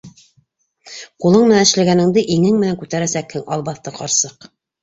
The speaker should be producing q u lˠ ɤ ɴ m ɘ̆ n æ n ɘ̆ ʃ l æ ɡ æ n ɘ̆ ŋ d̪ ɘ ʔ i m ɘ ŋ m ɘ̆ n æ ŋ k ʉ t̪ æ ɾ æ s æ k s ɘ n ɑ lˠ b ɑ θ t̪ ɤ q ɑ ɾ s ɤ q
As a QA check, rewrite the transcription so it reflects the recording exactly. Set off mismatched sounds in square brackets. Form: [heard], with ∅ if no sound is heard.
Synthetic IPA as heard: q u lˠ ɤ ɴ m ɘ̆ n æ n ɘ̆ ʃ l æ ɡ æ n ɘ̆ ŋ d̪ ɘ ʔ i [ŋ] ɘ ŋ m ɘ̆ n æ ŋ k ʉ t̪ æ ɾ æ s æ k [h] ɘ [ŋ] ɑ lˠ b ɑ θ t̪ ɤ q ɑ ɾ s ɤ q